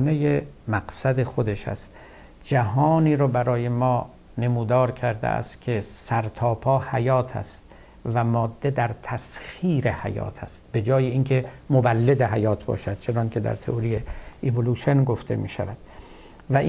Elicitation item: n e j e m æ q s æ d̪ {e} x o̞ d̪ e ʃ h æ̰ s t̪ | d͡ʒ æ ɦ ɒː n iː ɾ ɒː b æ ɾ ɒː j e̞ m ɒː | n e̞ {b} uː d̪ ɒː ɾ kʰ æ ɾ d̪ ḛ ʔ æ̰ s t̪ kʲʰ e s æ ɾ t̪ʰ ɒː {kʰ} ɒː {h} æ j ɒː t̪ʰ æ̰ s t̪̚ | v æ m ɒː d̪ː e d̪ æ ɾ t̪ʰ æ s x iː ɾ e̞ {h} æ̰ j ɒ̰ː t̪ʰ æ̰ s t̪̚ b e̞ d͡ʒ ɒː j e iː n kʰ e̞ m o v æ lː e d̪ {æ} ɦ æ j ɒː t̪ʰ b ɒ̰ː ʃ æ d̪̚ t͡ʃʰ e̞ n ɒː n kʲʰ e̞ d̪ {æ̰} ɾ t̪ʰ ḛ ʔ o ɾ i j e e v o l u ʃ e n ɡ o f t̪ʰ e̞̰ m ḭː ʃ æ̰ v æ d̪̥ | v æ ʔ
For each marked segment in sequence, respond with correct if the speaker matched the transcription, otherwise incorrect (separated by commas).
correct, incorrect, incorrect, correct, correct, incorrect, correct